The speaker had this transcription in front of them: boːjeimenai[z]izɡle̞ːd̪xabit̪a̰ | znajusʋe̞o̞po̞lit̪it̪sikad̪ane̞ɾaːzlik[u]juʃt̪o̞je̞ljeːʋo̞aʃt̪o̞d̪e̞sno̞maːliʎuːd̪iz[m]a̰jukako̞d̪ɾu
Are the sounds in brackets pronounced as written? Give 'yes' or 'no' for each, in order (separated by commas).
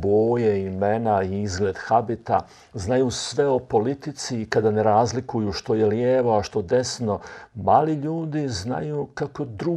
no, yes, no